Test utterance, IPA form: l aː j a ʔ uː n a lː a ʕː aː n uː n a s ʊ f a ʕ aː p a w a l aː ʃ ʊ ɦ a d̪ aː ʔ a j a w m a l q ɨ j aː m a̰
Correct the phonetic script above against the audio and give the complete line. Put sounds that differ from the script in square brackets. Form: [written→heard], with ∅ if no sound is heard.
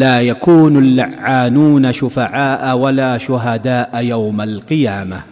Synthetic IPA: l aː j a [ʔ→k] uː n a lː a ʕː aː n uː n a [s→ʃ] ʊ f a ʕ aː [p→ʔ] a w a l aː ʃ ʊ ɦ a d̪ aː ʔ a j a w m a l q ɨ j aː m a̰